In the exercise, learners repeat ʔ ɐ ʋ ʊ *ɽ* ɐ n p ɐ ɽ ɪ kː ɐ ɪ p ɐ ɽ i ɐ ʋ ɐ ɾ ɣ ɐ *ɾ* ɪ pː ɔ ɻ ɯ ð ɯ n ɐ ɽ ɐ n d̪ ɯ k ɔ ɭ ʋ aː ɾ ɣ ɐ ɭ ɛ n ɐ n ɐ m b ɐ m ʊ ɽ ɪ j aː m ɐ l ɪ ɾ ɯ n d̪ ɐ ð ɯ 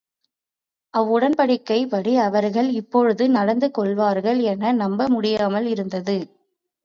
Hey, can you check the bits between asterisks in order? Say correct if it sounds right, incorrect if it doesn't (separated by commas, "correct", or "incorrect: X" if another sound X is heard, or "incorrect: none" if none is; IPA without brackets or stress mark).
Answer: correct, incorrect: ɭ